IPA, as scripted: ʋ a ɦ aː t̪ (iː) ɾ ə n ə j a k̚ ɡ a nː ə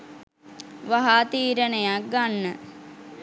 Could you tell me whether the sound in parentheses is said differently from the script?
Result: no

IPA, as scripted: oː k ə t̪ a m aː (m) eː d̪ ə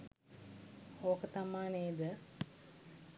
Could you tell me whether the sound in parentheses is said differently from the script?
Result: yes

